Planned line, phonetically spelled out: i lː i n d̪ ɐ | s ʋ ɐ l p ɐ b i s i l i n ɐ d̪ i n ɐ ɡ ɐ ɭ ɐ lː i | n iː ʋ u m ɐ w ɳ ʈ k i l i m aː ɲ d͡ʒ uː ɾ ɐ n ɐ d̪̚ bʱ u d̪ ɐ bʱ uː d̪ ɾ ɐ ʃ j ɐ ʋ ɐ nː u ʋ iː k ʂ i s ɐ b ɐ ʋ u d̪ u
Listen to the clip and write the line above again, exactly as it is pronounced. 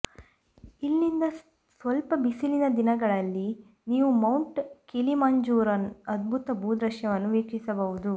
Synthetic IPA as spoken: i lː i n d̪ ɐ | s ʋ ɐ l p ɐ b i s i l i n ɐ d̪ i n ɐ ɡ ɐ ɭ ɐ lː i | n iː ʋ u m ɐ w ɳ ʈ k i l i m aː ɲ d͡ʒ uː ɾ ɐ n ɐ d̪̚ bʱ u t̪ ɐ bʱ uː d̪ ɾ ɐ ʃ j ɐ ʋ ɐ nː u ʋ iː k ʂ i s ɐ b ɐ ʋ u d̪ u